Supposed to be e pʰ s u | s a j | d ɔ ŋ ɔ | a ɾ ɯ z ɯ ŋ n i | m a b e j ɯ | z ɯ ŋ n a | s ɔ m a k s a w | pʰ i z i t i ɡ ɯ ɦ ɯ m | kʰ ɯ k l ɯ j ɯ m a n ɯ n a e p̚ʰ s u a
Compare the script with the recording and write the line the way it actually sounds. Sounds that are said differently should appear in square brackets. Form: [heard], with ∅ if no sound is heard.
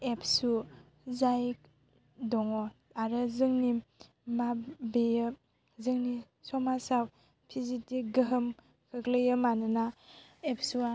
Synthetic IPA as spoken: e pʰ s u | [z] a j | d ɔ ŋ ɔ | a ɾ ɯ z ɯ ŋ n i | m a b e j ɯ | z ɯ ŋ n [i] | s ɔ m a [∅] s a w | pʰ i z i t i ɡ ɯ ɦ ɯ m | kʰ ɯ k l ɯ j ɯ m a n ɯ n a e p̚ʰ s u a